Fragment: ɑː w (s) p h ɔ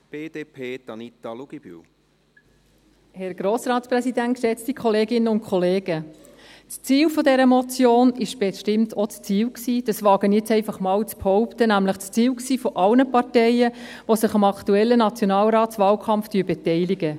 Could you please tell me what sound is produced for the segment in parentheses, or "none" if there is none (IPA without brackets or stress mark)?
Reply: t͡s